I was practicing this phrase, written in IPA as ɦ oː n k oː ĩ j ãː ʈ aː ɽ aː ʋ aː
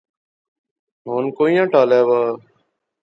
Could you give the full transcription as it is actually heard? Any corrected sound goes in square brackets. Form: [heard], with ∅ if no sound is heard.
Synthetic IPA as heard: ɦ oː n k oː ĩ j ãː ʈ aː [l] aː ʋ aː